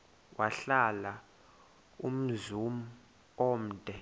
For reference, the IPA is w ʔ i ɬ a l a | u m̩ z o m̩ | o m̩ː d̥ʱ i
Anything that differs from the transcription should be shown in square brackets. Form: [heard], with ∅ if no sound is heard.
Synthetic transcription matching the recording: w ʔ [a] ɬ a l a | u m̩ z [u] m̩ | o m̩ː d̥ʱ [ɛ]